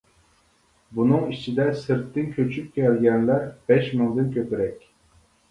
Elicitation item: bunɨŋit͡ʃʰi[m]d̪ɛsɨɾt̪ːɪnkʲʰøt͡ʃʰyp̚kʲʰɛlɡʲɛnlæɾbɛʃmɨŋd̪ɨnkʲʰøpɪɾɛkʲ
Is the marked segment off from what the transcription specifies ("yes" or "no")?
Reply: yes